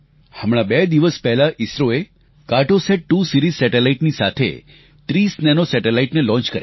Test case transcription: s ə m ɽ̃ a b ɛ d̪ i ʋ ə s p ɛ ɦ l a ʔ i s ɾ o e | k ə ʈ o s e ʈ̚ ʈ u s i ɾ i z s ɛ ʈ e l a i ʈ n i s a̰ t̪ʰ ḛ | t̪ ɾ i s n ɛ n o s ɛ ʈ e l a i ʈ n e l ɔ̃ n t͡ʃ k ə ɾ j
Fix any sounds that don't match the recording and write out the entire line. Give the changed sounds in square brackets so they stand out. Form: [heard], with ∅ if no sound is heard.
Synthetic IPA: [h] ə m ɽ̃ a b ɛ d̪ i ʋ ə s p ɛ ɦ l a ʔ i s ɾ o e | k [a] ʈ o s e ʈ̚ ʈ u s i ɾ i z s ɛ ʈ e l a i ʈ n i s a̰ t̪ʰ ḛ | t̪ ɾ i s n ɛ n o s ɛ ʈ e l a i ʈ n e l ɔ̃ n t͡ʃ k ə ɾ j